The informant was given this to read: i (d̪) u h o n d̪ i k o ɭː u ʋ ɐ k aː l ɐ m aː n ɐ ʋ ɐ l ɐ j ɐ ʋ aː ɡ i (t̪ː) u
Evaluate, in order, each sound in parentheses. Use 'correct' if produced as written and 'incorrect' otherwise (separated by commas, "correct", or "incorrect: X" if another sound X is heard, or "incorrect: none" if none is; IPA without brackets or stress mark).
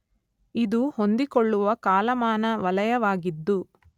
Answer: correct, incorrect: d̪ː